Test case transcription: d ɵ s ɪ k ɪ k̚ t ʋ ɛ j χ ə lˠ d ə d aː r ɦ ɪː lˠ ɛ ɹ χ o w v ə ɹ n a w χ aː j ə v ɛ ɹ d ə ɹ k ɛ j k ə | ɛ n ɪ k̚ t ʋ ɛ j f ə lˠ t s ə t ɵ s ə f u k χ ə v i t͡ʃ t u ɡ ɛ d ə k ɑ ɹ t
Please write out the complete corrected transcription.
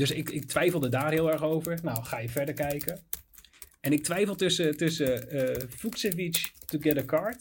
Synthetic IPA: d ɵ s ɪ k ɪ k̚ t ʋ ɛ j f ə lˠ d ə d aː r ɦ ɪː lˠ ɛ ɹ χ o w v ə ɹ n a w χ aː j ə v ɛ ɹ d ə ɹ k ɛ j k ə | ɛ n ɪ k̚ t ʋ ɛ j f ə lˠ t s ə t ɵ s ə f u k s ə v i t͡ʃ t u ɡ ɛ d ə k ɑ ɹ t